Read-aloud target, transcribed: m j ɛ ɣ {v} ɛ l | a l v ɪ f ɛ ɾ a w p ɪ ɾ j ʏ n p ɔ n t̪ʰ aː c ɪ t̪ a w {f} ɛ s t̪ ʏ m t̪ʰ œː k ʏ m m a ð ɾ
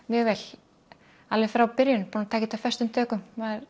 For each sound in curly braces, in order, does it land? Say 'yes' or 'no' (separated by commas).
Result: yes, yes